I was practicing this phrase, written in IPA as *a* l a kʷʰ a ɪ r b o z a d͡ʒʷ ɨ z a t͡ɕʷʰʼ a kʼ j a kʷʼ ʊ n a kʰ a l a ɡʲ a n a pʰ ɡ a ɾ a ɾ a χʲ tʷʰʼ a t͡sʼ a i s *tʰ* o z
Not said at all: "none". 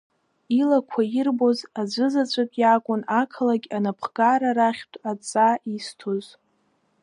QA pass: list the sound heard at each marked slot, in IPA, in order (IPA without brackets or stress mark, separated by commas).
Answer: i, tʰ